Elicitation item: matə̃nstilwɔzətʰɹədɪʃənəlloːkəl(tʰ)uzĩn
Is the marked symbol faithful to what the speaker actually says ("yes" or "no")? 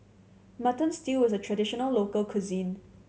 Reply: no